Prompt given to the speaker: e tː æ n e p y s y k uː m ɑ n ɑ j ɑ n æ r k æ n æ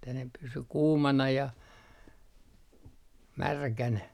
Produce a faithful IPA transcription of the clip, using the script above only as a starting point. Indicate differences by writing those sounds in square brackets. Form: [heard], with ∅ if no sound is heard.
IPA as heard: e tː æ n e p y s y k uː m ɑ n ɑ j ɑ [m] æ r k æ n æ